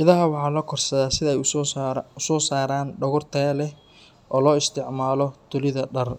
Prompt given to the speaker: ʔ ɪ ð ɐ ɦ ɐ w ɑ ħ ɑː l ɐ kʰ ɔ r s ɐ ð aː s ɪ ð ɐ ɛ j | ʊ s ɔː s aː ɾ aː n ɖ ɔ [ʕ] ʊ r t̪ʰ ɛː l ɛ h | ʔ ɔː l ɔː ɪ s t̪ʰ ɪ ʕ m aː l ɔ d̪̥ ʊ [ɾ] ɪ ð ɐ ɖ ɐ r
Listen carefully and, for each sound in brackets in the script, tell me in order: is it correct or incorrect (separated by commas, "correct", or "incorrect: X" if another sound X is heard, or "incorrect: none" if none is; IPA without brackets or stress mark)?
incorrect: ɣ, incorrect: l